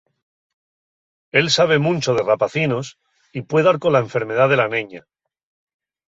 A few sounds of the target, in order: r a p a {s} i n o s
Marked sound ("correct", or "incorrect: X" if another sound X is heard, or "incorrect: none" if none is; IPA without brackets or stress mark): incorrect: θ